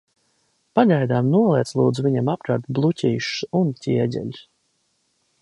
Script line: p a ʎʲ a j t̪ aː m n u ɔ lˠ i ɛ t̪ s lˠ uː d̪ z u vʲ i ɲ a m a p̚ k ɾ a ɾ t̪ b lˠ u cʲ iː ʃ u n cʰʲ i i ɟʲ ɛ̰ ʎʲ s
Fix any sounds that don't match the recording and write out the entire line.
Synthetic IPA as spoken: p a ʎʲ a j d̪ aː m n u ɔ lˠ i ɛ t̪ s lˠ uː d̪ z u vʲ i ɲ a m a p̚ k ɾ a ɾ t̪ b lˠ u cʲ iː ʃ u n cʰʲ i ɛ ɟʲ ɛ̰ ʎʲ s

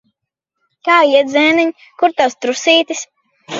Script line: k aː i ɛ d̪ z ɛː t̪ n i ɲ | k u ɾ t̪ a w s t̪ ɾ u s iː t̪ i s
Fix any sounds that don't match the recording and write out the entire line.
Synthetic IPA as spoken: k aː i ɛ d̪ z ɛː n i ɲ | k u ɾ t̪ a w s t̪ ɾ u s iː t̪ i s

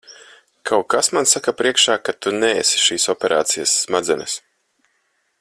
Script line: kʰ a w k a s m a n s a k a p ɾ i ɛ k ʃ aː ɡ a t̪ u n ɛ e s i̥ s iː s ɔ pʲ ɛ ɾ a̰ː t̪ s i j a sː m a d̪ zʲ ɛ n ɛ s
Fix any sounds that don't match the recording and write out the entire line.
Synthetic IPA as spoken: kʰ a w k a s m a n s a k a p ɾ i ɛ k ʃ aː k a t̪ u n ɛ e s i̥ ʃ iː s ɔ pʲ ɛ ɾ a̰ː t̪ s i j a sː m a d̪ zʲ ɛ n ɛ s

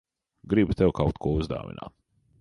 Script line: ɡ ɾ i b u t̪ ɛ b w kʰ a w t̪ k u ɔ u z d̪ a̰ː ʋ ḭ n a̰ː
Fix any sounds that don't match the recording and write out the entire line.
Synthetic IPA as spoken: ɡ ɾ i b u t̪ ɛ w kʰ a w t̪ k u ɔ u z d̪ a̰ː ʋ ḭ n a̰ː

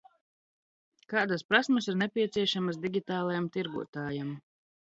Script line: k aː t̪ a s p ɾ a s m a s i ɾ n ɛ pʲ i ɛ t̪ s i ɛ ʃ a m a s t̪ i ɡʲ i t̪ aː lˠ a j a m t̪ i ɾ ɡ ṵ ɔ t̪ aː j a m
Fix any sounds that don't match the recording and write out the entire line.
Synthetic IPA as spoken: k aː d̪ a s p ɾ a s m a s i ɾ n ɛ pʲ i ɛ t̪ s i ɛ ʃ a m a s d̪ i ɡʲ i t̪ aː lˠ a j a m t̪ i ɾ ɡ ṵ ɔ t̪ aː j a m

